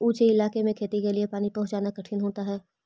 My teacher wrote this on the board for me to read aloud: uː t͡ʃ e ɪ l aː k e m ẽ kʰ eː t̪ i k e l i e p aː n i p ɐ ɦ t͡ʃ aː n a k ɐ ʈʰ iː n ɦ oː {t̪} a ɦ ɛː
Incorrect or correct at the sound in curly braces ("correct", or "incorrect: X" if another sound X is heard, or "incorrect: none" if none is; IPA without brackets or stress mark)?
correct